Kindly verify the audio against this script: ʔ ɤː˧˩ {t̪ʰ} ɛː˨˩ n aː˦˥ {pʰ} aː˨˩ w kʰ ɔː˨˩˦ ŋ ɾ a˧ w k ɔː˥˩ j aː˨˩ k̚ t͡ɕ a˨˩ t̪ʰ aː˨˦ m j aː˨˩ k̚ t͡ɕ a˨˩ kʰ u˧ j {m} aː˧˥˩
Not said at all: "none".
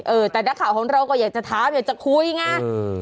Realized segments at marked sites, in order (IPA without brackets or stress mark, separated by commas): t̪, kʰ, ŋ